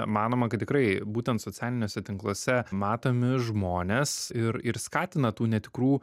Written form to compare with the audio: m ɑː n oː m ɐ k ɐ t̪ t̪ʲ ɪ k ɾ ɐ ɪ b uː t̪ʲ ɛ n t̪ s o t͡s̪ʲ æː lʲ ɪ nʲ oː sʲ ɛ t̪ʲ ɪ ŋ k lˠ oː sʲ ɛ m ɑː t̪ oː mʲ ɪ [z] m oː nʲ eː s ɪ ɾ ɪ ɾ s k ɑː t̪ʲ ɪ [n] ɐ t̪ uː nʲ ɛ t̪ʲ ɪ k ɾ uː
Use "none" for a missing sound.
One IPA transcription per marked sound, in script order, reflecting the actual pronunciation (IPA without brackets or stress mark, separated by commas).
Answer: ʒ, n